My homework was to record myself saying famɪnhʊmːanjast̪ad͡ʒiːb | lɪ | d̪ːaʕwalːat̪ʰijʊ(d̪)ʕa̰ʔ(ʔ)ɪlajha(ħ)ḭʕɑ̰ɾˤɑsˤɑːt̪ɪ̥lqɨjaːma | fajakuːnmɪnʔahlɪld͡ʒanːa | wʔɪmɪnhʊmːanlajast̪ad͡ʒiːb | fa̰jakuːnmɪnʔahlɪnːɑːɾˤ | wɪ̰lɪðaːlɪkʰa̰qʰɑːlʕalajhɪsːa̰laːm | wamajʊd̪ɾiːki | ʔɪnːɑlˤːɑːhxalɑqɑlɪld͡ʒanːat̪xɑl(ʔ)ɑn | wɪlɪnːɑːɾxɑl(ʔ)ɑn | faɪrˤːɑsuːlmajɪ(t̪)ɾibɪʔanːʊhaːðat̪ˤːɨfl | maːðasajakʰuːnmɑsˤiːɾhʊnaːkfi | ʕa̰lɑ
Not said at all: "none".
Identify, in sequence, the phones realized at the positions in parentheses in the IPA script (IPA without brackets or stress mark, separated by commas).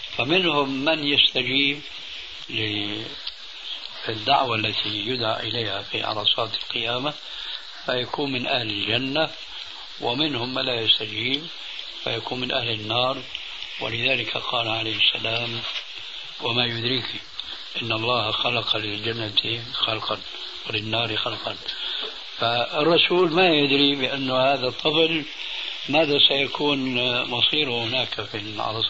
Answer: d̪, ʔ, f, q, q, d̪